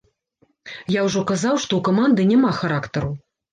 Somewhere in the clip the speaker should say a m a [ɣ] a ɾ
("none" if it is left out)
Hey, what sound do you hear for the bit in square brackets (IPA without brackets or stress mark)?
x